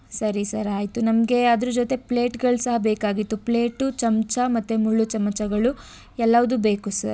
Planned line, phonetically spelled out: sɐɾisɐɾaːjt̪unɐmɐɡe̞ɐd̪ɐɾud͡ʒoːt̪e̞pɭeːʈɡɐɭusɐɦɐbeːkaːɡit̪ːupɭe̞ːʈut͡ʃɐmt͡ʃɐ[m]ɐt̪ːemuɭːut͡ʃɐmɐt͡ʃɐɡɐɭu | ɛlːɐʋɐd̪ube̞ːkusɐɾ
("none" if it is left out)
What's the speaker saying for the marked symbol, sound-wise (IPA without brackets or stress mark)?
m